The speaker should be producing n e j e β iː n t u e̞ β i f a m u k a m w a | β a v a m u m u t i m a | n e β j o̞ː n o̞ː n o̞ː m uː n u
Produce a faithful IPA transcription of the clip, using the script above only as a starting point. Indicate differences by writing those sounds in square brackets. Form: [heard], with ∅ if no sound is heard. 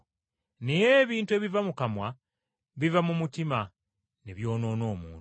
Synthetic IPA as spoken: n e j e β iː n t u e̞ β i [v] a m u k a m w a | β [i] v a m u m u t i m a | n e β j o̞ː n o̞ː n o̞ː m uː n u